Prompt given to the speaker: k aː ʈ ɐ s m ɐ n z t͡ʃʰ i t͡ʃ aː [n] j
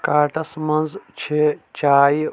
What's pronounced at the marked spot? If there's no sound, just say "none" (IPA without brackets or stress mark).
none